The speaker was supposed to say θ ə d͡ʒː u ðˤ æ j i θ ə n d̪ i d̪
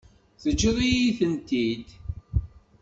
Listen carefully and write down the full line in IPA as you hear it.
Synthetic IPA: θ ə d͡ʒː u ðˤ i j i θ ə n t̪ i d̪